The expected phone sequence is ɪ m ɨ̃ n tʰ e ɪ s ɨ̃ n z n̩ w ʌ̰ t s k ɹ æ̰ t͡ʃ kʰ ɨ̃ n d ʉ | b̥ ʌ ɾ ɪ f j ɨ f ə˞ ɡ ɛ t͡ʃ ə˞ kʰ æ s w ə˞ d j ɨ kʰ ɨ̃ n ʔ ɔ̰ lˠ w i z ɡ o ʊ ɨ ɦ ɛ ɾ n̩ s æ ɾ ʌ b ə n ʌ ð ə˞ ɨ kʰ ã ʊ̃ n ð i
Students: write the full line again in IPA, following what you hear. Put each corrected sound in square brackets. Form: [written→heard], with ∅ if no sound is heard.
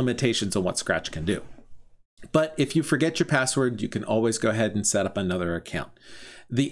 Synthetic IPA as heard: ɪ m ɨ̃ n tʰ e ɪ [s→ʃ] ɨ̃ n z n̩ w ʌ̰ t s k ɹ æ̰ t͡ʃ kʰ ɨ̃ n d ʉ | b̥ ʌ ɾ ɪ f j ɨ f ə˞ ɡ ɛ t͡ʃ ə˞ [kʰ→pʰ] æ s w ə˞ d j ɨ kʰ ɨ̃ n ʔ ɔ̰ lˠ w i z ɡ o ʊ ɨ ɦ ɛ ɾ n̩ s [æ→ɛ] ɾ ʌ [b→p] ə n ʌ ð ə˞ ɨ kʰ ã ʊ̃ n ð i